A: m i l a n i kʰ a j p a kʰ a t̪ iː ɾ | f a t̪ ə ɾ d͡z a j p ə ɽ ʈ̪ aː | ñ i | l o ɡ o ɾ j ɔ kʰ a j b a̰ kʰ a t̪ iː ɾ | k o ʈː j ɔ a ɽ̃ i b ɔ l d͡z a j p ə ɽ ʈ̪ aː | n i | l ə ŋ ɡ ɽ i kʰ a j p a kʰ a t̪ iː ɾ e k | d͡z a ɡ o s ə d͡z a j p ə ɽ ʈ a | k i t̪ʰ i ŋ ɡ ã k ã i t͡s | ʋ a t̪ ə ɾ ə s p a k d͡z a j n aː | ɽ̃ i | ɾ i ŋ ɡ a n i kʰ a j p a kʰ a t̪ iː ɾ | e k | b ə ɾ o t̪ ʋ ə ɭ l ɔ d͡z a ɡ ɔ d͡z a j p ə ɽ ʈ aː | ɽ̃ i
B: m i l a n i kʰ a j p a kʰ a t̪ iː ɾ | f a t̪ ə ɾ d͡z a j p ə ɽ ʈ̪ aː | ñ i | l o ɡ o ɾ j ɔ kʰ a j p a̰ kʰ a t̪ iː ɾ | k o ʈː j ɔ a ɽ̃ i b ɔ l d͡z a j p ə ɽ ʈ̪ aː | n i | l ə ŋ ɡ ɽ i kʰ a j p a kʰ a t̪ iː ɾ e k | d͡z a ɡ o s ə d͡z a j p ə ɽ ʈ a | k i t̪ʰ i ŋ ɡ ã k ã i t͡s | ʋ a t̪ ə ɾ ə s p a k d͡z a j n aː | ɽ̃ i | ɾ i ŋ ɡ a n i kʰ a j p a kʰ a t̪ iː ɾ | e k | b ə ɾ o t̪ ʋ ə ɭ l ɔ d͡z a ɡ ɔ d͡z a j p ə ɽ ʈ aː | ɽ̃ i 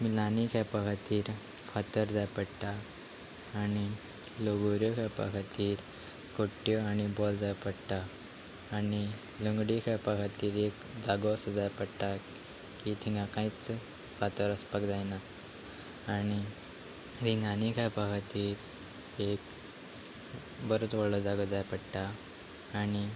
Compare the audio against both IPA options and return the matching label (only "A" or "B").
B